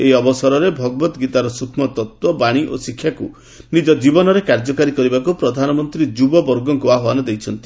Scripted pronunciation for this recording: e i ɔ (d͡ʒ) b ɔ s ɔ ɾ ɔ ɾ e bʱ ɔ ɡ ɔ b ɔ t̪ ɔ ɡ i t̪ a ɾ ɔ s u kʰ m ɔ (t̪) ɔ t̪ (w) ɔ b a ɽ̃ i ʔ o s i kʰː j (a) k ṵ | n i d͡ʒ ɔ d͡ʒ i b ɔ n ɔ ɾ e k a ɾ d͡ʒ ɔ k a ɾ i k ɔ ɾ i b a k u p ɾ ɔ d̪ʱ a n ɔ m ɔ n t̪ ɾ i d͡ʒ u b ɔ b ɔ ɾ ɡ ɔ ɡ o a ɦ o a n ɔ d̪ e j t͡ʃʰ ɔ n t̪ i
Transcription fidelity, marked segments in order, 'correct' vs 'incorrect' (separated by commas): incorrect, correct, correct, correct